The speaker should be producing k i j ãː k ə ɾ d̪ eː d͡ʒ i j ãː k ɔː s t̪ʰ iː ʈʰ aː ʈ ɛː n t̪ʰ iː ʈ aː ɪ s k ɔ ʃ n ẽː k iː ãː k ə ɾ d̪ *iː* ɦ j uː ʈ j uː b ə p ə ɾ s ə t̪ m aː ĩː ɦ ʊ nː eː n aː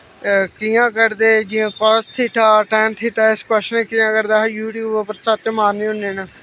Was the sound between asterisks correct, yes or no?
no